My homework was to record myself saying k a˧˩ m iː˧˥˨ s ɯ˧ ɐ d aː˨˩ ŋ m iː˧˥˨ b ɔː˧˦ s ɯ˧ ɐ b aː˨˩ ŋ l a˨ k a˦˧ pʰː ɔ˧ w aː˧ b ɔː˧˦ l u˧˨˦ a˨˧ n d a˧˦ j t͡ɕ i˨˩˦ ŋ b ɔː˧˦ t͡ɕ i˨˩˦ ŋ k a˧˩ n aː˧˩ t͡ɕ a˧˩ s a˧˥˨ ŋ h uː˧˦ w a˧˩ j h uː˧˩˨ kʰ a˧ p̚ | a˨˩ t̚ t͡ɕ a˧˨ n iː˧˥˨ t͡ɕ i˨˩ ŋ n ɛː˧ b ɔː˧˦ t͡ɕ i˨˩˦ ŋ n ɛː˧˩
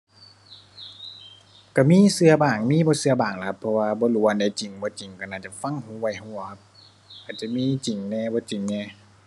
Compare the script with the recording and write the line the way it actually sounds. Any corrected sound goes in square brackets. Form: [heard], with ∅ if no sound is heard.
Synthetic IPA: k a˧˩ m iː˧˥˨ s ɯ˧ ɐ [b] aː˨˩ ŋ m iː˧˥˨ b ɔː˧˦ s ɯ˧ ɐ b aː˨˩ ŋ l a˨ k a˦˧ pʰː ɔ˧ w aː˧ b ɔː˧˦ l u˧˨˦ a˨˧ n d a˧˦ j t͡ɕ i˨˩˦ ŋ b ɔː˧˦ t͡ɕ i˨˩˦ ŋ k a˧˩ n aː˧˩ t͡ɕ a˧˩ [f] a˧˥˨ ŋ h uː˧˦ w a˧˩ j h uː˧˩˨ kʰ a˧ p̚ | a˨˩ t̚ t͡ɕ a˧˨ [m] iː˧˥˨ t͡ɕ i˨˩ ŋ n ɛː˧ b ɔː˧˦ t͡ɕ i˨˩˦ ŋ n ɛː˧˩